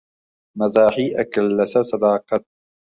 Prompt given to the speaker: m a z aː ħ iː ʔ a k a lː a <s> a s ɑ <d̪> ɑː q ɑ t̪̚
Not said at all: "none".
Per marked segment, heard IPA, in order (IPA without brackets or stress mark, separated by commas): s, d̪